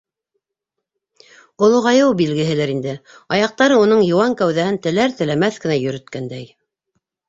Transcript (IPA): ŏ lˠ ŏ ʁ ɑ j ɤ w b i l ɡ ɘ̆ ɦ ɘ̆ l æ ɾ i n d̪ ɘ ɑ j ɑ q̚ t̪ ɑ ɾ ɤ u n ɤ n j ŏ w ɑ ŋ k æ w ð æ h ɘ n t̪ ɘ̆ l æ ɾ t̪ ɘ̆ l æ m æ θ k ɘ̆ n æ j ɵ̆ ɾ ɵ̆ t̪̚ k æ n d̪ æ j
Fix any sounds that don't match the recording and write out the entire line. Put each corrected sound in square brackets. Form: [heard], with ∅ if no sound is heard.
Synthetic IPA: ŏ lˠ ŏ ʁ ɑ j ɤ w b i l ɡ ɘ̆ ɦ ɘ̆ l æ ɾ i n d̪ ɘ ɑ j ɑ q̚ t̪ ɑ ɾ ɤ u n ɤ [ɴ] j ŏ w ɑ ŋ k æ w ð æ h ɘ n t̪ ɘ̆ l æ ɾ t̪ ɘ̆ l æ m æ θ k ɘ̆ n æ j ɵ̆ ɾ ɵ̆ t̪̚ k æ n d̪ æ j